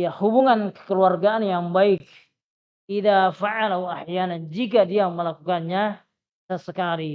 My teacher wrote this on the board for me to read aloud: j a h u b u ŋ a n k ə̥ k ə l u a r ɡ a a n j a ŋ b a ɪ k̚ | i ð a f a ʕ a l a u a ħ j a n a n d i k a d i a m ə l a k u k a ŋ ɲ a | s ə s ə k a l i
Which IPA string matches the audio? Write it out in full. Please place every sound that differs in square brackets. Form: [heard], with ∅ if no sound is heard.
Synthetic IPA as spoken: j a h u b u ŋ a n k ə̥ k ə l u a r ɡ a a n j a ŋ b a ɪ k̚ | i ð a f a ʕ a l a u a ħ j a n a n [d͡ʒ] i k a d i a m ə l a k u k a [n] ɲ a | s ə s ə k a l i